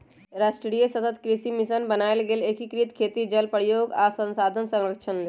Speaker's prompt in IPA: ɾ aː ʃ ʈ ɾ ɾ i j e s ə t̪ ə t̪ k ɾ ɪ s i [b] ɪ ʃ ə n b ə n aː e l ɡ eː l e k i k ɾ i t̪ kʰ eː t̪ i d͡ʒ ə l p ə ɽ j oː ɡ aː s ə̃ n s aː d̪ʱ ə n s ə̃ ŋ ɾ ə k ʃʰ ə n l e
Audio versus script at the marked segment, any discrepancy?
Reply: yes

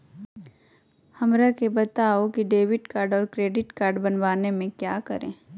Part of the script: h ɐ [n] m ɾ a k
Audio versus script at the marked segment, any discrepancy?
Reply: yes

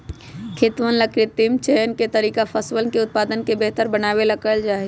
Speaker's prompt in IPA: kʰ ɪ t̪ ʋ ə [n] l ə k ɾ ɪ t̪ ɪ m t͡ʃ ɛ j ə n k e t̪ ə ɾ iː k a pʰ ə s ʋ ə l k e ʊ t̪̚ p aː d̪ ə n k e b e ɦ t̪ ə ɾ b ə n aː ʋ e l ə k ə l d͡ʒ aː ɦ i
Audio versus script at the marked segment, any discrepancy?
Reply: no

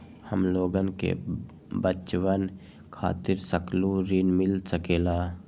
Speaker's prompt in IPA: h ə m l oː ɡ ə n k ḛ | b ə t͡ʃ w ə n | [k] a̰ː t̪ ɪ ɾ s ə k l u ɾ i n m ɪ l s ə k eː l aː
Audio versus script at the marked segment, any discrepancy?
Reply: yes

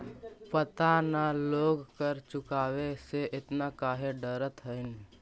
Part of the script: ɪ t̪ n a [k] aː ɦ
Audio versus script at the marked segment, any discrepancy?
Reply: no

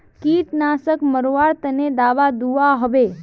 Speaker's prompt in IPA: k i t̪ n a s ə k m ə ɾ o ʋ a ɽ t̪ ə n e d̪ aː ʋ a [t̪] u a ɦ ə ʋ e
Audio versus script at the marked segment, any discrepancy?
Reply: yes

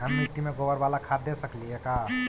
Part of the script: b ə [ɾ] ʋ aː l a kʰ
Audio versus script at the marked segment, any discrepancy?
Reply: no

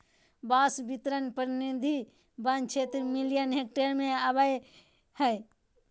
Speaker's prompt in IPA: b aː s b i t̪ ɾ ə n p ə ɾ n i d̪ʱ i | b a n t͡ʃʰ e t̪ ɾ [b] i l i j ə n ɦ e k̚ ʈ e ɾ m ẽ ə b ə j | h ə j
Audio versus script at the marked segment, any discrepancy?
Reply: yes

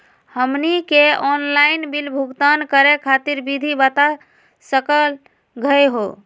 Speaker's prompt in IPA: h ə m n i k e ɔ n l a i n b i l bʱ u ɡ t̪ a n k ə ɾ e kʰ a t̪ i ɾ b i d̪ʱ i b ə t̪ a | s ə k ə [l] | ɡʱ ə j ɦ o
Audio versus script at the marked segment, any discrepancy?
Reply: no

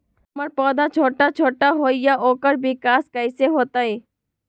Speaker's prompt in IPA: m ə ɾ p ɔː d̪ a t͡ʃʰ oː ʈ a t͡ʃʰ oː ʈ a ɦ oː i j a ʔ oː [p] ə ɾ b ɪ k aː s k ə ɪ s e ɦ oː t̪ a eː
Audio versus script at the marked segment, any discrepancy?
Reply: yes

